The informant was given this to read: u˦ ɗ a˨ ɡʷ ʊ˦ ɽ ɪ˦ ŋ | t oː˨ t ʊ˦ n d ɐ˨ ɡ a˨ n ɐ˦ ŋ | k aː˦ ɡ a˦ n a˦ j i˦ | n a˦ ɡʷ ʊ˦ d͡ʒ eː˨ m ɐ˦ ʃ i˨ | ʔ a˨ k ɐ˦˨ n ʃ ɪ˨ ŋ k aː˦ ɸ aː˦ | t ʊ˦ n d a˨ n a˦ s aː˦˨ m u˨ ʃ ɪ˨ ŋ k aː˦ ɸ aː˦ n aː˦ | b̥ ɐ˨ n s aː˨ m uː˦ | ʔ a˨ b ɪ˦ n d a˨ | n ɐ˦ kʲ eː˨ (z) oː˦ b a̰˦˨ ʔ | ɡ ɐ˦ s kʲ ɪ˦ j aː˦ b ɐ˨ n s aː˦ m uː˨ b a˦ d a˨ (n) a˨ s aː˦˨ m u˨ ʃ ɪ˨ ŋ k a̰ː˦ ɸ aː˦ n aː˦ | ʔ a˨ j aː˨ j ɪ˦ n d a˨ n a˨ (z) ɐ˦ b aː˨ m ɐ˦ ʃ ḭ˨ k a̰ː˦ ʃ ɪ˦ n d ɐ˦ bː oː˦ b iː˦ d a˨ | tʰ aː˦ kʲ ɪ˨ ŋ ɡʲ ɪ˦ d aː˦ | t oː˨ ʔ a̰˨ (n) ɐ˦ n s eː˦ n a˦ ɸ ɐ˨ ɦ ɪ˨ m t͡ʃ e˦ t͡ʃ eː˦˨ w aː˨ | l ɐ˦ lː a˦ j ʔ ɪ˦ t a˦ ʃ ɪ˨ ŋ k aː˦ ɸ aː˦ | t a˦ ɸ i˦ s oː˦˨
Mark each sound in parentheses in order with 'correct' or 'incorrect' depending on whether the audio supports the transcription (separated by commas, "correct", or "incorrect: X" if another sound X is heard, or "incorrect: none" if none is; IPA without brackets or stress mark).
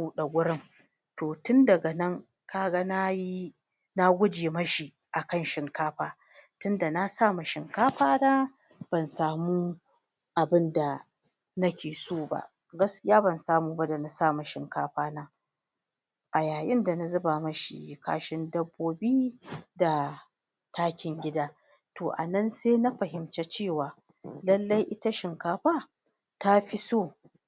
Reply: incorrect: s, correct, correct, correct